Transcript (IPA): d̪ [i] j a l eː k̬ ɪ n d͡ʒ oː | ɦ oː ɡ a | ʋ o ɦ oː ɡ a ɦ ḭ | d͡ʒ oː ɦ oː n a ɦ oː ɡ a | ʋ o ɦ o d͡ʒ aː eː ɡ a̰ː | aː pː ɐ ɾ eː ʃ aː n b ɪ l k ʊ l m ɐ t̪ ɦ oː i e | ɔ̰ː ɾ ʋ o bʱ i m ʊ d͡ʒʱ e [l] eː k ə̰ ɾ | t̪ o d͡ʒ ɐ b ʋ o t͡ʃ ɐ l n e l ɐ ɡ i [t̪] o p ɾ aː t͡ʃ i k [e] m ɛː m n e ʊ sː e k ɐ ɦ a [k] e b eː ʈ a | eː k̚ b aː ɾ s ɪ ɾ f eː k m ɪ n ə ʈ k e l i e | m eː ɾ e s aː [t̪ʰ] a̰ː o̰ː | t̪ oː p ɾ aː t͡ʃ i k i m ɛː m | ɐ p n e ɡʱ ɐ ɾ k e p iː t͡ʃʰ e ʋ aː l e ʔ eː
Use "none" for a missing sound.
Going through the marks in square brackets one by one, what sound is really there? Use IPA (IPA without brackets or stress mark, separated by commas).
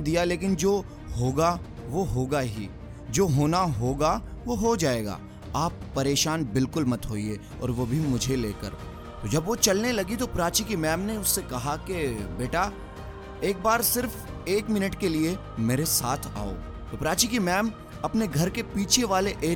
i, l, t̪, i, k, t̪ʰ